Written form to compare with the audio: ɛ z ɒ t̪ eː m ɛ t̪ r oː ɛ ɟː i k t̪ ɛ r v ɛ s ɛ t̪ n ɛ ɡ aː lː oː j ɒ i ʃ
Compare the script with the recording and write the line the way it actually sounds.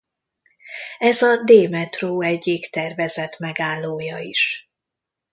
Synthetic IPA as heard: ɛ z ɒ d̪ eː m ɛ t̪ r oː ɛ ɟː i k t̪ ɛ r v ɛ z ɛ t̪ m ɛ ɡ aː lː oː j ɒ i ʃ